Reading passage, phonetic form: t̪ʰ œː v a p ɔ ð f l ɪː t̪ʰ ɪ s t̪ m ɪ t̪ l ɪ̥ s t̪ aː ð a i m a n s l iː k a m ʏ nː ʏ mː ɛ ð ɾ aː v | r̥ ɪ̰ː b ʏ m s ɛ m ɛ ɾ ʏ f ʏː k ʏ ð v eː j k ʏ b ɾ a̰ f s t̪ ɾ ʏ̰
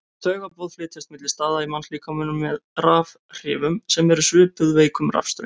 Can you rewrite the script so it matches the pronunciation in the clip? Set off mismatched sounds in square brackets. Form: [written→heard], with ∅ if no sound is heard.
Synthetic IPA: t̪ʰ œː [v→ɣ] a p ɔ ð f l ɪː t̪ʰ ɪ s t̪ m ɪ t̪ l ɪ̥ s t̪ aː ð a i m a n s l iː k a m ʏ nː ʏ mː ɛ ð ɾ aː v | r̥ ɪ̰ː [b→v] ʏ m s ɛ m ɛ ɾ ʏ [f→s] ʏː [k→p] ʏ ð v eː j k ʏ [b→m] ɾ a̰ f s t̪ ɾ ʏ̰